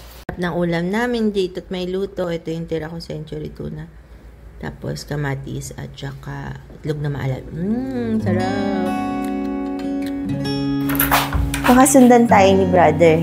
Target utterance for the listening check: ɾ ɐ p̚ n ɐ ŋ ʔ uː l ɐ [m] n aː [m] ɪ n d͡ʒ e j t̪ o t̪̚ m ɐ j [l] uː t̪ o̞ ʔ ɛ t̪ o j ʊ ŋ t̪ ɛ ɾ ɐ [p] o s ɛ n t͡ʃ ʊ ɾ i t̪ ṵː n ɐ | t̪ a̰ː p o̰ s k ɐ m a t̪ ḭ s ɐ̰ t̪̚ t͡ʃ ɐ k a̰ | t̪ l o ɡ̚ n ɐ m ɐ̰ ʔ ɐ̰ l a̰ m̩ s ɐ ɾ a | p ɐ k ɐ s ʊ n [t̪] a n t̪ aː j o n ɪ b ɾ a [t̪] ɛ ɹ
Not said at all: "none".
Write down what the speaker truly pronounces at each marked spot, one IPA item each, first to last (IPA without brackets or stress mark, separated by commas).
m, m, l, k, d̪, d̪